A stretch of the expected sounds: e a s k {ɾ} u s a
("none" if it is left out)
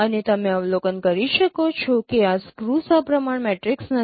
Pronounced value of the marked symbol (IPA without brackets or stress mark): ɾ